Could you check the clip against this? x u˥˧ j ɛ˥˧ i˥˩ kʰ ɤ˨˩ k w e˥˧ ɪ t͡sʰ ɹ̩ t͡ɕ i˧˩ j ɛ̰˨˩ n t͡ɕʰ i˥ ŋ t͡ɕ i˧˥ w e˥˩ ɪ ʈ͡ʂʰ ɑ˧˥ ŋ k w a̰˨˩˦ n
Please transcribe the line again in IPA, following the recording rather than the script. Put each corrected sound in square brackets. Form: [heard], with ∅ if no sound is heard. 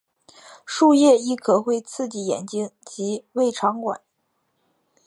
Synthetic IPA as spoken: [ʂ] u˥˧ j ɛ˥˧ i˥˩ kʰ ɤ˨˩ [x] w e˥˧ ɪ t͡sʰ ɹ̩ t͡ɕ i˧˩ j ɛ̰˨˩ n [t͡ɕ] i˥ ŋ t͡ɕ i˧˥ w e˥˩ ɪ ʈ͡ʂʰ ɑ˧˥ ŋ k w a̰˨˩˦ n